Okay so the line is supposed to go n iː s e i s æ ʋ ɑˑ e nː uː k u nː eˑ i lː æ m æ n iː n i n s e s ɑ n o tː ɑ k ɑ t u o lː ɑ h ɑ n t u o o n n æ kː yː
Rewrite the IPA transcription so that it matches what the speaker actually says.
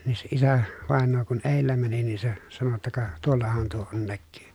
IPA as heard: n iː s e i s æ ʋ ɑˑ e nː oː k u n eˑ i lː æ m æ n i n i n s e s ɑ n o tː ɑ k ɑ t u o lː ɑ h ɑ n t u o o n n æ kː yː